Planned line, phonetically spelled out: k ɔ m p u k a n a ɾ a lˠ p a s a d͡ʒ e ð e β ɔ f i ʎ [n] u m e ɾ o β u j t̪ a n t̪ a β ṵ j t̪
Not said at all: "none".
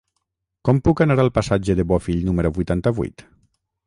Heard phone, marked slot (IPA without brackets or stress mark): n